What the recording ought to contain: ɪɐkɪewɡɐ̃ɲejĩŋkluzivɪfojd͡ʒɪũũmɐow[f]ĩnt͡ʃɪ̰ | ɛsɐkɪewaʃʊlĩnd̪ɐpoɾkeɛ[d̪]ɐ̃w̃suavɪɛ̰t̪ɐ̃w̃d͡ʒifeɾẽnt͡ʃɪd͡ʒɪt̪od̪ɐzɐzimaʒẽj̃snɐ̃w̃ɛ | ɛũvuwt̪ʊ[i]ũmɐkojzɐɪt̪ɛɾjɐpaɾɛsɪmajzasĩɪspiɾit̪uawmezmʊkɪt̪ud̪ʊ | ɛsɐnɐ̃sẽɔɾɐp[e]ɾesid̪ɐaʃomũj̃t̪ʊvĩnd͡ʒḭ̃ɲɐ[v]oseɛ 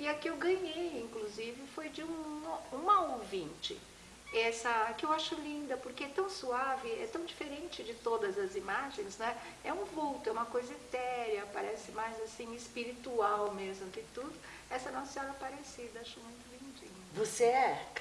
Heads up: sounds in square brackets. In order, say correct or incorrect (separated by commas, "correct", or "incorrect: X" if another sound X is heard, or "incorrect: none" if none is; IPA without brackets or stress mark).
incorrect: v, incorrect: t̪, incorrect: ɛ, incorrect: a, correct